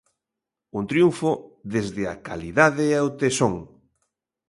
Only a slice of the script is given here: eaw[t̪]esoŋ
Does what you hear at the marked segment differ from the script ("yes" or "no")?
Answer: no